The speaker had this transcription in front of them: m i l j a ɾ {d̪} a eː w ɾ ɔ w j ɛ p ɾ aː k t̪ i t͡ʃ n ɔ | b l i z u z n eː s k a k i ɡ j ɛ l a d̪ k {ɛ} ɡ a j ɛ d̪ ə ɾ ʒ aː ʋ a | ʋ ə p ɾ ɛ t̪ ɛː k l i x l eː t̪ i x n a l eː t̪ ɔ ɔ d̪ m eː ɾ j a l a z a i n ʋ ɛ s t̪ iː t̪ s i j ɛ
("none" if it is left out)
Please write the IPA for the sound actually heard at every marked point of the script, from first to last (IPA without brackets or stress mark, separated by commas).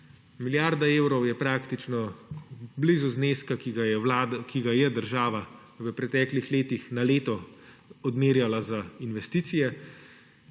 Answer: d̪, i